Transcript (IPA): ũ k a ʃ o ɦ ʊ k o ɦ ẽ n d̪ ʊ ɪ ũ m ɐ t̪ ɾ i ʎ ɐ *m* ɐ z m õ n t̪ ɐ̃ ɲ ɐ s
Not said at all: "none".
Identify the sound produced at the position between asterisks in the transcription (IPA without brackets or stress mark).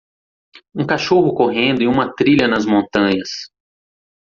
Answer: n